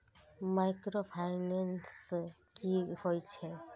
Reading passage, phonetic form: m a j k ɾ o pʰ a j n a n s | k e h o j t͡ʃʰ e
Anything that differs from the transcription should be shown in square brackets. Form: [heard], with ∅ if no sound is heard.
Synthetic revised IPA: m a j k ɾ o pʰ a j n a n s | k [i] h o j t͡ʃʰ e